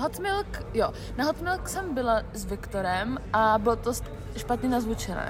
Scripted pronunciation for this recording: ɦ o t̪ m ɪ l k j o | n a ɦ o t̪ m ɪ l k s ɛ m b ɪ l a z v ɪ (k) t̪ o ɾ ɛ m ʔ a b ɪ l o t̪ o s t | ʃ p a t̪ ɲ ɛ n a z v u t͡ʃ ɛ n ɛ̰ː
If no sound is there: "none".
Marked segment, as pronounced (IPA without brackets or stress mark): k